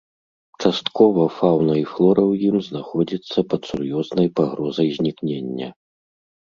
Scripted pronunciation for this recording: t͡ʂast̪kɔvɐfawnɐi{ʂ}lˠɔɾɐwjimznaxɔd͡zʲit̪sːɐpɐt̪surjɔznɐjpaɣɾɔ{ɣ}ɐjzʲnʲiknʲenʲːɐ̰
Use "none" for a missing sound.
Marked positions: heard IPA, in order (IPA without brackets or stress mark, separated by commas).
f, z